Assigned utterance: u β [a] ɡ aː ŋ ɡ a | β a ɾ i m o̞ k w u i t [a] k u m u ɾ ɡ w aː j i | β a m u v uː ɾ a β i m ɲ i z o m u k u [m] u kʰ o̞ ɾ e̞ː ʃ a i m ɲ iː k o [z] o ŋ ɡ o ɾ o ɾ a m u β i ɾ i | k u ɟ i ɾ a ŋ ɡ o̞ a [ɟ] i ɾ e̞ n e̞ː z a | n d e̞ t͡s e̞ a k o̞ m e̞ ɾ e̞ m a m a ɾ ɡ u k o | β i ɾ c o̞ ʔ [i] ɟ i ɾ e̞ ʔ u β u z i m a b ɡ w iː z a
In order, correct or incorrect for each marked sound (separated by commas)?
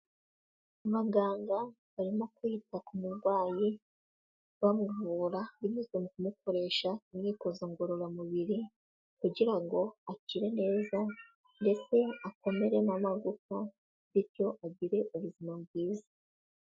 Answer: correct, correct, correct, correct, incorrect, incorrect